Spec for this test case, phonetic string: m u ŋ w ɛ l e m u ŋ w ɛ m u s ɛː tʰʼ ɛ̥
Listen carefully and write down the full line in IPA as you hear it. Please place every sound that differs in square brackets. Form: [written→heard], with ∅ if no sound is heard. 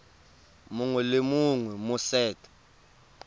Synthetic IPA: m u ŋ w ɛ l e m u ŋ w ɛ m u s ɛː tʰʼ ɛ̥